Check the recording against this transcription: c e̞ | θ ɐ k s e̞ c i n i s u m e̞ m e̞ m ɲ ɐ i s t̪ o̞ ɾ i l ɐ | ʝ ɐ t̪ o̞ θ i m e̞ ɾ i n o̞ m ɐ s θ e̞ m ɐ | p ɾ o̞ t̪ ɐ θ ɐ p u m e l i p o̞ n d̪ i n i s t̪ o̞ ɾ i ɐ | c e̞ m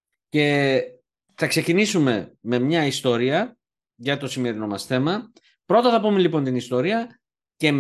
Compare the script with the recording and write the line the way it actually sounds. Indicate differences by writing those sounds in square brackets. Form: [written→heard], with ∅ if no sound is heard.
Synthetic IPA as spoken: c e̞ | θ ɐ k s e̞ c i n i s u m e̞ m e̞ m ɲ ɐ i s t̪ o̞ ɾ i [l→∅] ɐ | ʝ ɐ t̪ o̞ [θ→s] i m e̞ ɾ i n o̞ m ɐ s θ e̞ m ɐ | p ɾ o̞ t̪ ɐ θ ɐ p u m e l i p o̞ n [d̪→t̪] i n i s t̪ o̞ ɾ i ɐ | c e̞ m